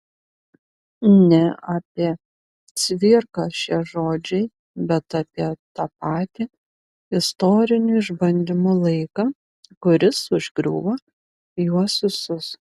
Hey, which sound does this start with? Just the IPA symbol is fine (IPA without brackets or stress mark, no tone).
nʲ